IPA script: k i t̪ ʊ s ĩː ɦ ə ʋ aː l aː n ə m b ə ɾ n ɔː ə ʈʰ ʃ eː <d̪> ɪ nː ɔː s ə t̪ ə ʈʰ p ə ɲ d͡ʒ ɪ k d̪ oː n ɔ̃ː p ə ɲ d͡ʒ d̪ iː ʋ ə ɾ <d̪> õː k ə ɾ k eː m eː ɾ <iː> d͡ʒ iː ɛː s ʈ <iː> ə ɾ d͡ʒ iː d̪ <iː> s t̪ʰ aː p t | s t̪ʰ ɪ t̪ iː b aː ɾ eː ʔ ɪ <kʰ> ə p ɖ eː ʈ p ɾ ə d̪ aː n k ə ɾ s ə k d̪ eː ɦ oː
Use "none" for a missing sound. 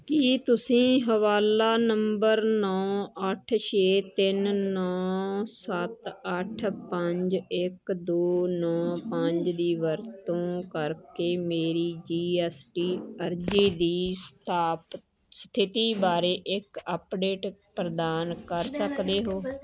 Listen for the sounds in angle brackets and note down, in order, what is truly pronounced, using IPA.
t̪, t̪, iː, iː, iː, k

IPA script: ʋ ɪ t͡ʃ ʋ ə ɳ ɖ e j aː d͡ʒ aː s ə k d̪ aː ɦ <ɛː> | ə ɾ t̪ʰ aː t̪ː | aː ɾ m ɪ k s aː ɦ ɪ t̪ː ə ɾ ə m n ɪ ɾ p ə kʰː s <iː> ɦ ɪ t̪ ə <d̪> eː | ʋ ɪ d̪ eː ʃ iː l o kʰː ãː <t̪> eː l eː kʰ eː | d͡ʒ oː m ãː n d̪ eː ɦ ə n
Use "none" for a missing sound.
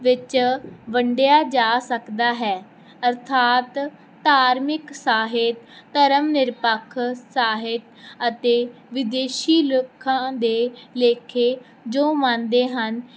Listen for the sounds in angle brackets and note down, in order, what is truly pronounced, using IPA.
ɛː, aː, t̪, d̪

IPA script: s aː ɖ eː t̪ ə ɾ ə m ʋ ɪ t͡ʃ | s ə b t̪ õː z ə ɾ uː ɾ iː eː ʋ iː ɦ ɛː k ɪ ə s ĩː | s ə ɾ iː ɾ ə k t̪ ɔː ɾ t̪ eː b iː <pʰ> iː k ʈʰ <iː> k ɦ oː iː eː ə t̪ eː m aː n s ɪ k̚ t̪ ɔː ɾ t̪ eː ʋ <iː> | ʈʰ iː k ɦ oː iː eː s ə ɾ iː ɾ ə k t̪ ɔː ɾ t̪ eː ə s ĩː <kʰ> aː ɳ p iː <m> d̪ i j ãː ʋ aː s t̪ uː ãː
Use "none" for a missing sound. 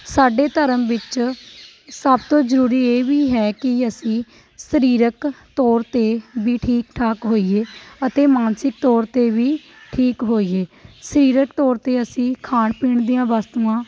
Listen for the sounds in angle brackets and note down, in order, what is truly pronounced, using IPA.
ʈʰ, aː, iː, kʰ, ɳ

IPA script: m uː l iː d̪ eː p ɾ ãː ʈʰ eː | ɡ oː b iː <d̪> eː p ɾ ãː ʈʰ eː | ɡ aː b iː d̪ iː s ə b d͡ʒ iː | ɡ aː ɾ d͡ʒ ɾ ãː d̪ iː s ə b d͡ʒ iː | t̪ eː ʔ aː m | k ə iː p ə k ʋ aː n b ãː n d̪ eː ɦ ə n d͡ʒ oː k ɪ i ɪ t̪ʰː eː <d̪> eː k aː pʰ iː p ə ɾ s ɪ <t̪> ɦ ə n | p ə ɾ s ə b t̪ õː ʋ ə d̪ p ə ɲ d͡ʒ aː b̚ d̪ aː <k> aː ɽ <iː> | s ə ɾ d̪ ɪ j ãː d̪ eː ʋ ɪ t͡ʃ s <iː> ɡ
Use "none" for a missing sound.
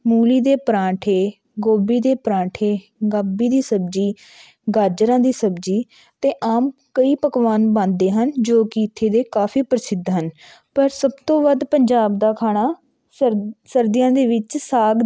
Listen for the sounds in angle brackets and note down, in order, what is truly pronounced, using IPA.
d̪, d̪, d̪, kʰ, aː, aː

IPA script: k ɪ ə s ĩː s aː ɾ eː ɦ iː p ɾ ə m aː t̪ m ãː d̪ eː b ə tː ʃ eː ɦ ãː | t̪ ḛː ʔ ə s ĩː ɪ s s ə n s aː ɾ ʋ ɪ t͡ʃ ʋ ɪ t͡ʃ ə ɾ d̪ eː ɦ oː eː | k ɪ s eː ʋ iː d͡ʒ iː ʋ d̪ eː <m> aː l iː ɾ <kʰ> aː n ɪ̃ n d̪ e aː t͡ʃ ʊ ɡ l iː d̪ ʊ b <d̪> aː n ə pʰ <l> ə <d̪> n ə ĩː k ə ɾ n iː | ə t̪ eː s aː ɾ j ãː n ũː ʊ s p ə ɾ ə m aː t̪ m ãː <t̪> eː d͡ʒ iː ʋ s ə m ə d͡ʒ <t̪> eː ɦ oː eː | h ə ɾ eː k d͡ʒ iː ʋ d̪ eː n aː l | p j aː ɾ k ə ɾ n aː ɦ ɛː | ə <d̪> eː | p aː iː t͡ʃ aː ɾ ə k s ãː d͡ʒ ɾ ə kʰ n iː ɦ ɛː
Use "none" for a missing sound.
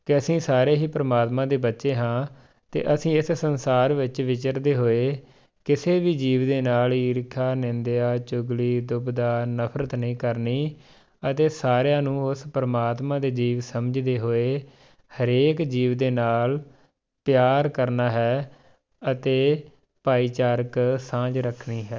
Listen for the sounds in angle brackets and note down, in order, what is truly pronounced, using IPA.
n, kʰ, d̪, ɾ, t̪, d̪, d̪, t̪

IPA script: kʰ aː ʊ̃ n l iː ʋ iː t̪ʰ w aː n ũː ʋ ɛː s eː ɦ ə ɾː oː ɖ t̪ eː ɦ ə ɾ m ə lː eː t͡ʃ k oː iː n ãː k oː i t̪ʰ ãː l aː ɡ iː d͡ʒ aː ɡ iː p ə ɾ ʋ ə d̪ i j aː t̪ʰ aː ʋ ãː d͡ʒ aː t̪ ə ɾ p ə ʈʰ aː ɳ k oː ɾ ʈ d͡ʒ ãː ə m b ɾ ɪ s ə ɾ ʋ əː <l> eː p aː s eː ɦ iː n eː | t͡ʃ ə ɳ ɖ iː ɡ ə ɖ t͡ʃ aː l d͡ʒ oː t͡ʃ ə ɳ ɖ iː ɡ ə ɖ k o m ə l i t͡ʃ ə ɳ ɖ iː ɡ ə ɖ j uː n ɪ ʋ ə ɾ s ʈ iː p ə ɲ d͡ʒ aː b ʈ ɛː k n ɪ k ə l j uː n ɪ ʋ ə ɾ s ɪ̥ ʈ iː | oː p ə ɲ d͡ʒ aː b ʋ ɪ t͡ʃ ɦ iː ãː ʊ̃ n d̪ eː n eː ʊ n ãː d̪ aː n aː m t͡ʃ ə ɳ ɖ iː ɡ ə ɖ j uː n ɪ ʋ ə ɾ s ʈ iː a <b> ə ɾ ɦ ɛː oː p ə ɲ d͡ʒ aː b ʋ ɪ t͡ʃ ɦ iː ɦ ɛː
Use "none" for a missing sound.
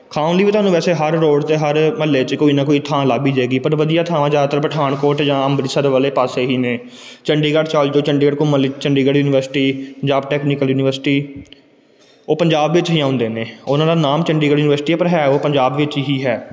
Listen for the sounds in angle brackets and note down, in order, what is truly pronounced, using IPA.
l, p

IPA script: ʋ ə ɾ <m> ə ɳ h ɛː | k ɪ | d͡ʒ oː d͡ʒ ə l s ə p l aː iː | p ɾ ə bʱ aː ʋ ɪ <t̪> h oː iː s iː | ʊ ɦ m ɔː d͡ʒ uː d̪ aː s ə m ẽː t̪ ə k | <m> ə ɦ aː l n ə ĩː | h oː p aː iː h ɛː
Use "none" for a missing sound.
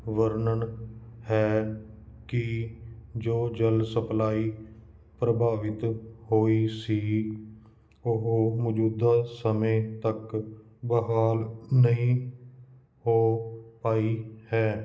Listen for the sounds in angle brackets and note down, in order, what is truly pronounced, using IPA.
n, t̪, b

